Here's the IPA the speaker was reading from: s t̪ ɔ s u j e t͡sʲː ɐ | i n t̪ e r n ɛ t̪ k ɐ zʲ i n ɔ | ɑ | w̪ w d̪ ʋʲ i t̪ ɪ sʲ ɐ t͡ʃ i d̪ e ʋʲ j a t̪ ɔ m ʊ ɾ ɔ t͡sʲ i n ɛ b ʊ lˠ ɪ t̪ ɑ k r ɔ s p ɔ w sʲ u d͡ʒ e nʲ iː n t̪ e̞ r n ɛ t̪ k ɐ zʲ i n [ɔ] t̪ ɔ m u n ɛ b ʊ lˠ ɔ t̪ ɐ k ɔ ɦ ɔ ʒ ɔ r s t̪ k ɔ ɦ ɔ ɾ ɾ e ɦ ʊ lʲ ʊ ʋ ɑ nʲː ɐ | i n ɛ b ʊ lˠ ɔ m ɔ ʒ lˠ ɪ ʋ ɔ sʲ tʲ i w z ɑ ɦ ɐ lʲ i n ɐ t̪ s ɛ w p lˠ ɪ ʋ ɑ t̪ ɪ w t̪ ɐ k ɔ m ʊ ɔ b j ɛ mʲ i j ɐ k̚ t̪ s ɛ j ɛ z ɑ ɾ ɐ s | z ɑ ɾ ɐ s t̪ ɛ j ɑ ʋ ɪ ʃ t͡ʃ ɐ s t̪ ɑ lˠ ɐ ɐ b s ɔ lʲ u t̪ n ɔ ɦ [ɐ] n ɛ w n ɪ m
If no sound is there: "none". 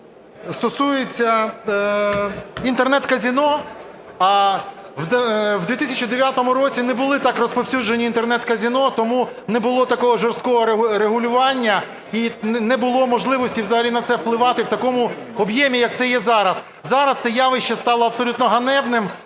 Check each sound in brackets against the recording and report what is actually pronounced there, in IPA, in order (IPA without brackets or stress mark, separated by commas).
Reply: ɔ, ɐ